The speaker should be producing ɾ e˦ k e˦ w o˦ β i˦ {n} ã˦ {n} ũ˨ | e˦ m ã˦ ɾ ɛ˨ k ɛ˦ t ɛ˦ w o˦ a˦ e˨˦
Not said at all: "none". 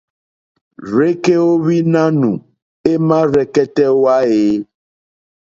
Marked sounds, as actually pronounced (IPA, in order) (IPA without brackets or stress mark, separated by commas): n, n